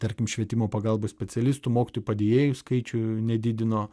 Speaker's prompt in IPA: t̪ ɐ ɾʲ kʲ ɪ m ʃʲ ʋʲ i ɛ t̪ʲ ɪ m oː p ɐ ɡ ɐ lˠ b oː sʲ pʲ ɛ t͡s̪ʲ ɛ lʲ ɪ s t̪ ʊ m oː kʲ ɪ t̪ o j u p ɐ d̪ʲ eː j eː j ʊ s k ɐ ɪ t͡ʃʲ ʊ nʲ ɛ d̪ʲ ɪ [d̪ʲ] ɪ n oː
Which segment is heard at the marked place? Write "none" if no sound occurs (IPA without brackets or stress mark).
d̪ʲ